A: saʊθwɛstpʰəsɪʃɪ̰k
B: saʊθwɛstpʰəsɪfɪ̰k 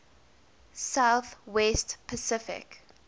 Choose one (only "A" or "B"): B